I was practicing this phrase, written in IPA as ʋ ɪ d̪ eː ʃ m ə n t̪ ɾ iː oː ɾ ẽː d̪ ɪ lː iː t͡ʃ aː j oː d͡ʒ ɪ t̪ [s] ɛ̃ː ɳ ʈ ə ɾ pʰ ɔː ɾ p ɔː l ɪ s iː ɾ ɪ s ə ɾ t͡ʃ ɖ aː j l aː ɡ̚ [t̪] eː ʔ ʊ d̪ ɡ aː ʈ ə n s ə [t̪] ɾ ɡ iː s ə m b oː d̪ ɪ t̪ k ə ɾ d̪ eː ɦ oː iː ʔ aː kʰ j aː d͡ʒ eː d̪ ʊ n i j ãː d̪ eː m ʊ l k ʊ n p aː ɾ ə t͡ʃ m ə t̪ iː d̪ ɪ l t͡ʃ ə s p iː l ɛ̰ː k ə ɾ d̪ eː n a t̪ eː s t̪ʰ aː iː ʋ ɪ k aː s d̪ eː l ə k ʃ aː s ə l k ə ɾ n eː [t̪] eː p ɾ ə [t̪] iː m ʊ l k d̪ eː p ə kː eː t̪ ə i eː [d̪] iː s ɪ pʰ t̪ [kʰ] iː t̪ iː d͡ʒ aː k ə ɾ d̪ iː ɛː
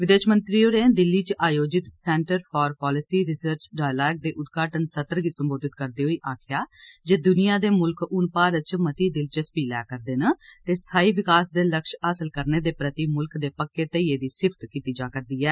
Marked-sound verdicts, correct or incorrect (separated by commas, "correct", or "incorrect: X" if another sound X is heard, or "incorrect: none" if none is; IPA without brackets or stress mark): correct, incorrect: d̪, correct, incorrect: d̪, correct, correct, incorrect: k